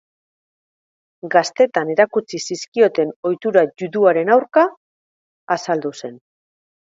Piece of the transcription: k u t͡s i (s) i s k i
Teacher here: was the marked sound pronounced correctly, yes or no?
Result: yes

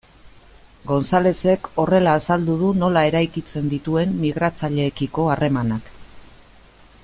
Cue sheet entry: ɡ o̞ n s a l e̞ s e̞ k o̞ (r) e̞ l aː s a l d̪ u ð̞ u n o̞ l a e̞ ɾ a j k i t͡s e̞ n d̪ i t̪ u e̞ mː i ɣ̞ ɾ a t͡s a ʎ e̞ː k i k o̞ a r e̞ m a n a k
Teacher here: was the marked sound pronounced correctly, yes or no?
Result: yes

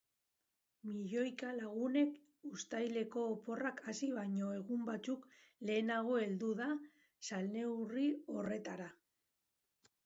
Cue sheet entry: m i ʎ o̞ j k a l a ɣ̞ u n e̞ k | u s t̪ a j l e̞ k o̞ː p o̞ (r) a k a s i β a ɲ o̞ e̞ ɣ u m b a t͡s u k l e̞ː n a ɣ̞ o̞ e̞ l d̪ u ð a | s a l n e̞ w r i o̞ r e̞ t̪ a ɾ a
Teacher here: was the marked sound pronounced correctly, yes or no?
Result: yes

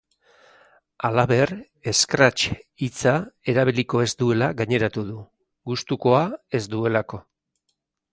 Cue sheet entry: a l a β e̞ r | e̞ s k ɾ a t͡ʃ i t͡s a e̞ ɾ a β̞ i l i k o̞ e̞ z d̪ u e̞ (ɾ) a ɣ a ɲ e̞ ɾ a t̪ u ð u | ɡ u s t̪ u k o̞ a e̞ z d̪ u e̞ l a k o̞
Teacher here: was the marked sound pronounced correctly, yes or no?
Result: no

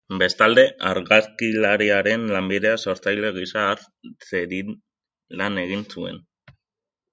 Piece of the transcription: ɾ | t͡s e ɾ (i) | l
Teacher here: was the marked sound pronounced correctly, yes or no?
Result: yes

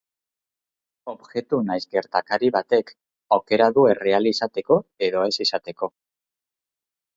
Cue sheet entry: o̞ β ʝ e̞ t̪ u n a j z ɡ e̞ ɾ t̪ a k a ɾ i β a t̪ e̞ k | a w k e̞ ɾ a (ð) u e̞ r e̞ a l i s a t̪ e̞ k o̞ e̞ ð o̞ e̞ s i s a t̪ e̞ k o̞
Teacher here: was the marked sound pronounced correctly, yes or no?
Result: yes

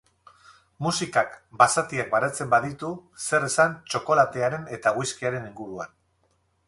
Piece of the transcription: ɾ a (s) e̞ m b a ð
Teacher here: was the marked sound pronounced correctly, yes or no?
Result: no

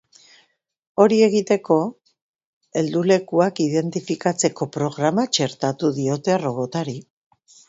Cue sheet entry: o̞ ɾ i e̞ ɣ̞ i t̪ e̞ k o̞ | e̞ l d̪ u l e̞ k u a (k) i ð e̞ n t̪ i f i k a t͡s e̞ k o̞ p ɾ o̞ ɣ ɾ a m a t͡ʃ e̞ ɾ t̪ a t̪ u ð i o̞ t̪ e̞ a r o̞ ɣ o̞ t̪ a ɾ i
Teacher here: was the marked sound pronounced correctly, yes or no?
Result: yes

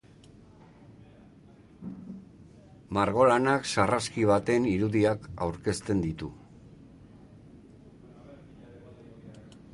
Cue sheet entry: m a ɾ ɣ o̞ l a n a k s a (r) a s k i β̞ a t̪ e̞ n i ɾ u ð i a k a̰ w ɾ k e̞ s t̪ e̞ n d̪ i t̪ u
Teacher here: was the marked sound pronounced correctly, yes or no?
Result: yes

